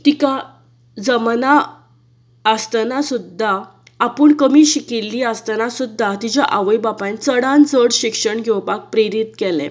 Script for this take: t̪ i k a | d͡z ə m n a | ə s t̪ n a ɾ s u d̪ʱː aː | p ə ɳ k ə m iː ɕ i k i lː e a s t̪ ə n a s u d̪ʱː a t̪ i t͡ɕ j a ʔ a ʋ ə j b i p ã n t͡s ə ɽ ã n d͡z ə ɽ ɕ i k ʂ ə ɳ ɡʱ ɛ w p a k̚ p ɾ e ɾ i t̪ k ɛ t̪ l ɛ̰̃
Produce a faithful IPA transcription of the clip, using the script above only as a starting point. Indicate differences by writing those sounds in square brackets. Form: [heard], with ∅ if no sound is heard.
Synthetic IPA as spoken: t̪ i k a | d͡z ə m n a | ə s t̪ n a [∅] s u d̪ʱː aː | p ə ɳ k ə m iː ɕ i k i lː [i] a s t̪ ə n a s u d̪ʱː a t̪ i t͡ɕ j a ʔ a ʋ ə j b [a] p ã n t͡s ə ɽ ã n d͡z ə ɽ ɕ i k ʂ ə ɳ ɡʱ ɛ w p a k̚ p ɾ e ɾ i t̪ k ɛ [∅] l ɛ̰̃